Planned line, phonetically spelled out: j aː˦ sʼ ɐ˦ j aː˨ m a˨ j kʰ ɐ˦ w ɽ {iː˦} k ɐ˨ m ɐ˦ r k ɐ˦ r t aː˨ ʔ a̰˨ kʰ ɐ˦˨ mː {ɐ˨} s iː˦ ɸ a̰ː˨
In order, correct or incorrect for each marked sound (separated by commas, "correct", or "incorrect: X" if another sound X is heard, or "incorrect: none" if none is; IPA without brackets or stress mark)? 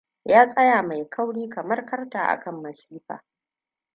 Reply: correct, correct